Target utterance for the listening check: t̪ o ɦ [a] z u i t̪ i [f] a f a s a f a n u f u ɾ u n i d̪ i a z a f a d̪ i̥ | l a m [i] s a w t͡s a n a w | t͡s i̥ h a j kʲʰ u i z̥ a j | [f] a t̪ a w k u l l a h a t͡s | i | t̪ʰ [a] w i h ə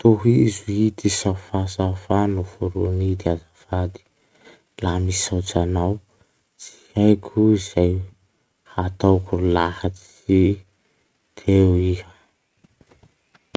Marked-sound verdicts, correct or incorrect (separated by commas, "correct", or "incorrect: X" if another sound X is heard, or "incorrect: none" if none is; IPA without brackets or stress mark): incorrect: i, incorrect: s, correct, incorrect: h, incorrect: e